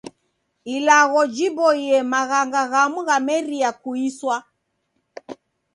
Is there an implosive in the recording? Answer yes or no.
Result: no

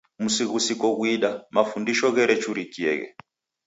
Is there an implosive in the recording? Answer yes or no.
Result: yes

